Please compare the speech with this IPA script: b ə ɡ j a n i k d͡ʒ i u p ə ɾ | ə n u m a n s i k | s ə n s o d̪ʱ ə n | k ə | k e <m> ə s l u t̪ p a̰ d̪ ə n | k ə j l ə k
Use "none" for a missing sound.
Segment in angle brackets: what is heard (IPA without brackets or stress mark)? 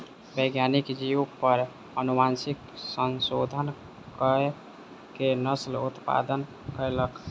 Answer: n